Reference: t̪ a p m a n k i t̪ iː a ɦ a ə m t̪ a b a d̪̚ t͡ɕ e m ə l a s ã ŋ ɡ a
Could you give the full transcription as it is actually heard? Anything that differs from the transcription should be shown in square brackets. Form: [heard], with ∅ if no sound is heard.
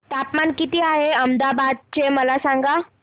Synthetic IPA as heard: t̪ a p m a n k i t̪ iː a ɦ [e] ə m [d̪] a b a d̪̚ t͡ɕ e m ə l a s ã ŋ ɡ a